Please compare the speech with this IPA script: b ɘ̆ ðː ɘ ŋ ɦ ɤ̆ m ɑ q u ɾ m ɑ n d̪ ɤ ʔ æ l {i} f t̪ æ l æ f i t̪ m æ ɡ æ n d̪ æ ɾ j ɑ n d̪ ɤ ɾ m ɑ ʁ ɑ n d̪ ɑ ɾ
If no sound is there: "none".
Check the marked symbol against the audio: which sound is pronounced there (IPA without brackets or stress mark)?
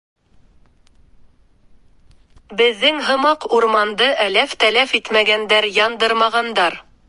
æ